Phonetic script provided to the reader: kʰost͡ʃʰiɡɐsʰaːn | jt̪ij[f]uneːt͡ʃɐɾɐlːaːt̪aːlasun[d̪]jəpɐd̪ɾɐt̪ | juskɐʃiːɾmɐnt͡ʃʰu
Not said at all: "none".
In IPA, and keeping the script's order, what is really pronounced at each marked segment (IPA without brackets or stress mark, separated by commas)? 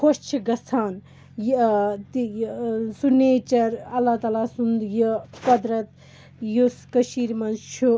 s, d̪